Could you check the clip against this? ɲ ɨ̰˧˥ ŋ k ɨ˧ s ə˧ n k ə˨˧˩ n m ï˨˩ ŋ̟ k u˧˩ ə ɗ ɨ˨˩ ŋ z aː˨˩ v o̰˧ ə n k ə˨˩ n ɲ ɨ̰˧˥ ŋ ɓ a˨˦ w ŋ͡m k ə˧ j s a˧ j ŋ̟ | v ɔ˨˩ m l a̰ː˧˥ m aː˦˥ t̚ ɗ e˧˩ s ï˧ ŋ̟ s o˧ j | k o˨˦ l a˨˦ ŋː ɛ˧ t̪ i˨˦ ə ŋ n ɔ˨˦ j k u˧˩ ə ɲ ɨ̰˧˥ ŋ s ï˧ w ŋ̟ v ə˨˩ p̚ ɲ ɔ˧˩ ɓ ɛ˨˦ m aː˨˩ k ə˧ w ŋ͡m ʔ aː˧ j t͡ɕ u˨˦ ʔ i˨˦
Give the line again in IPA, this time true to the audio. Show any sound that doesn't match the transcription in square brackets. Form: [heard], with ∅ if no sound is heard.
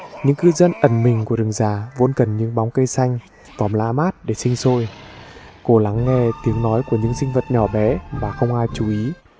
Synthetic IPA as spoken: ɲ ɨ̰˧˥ ŋ k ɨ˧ [z] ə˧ n [ʔ] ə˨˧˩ n m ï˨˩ ŋ̟ k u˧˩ ə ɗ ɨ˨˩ ŋ z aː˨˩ v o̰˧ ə n k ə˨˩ n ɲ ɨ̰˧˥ ŋ ɓ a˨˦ w ŋ͡m k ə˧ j s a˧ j ŋ̟ | v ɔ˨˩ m l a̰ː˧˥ m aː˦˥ t̚ ɗ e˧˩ s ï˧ ŋ̟ s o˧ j | k [o˧˩] l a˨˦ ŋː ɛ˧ t̪ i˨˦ ə ŋ n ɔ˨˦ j k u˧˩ ə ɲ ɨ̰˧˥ ŋ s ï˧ [∅] ŋ̟ v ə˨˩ [t̚] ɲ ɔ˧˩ ɓ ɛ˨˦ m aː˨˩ [x] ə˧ w ŋ͡m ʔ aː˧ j t͡ɕ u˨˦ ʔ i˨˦